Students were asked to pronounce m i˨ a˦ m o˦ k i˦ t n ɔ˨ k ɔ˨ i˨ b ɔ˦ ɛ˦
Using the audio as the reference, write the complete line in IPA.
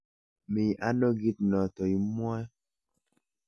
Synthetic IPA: m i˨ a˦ n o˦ ɡ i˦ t n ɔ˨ t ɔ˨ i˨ m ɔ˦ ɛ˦